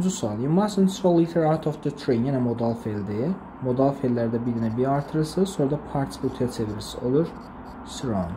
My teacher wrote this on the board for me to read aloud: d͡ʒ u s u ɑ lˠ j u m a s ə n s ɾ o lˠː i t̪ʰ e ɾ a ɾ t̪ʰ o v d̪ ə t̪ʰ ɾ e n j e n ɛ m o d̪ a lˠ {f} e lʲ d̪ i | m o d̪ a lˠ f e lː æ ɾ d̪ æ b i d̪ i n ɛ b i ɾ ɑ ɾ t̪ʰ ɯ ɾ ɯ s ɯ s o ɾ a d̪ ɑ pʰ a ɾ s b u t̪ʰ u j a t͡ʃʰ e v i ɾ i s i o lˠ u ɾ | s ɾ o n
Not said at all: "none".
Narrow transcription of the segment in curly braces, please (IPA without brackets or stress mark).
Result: f